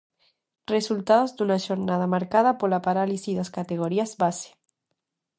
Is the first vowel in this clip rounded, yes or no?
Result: no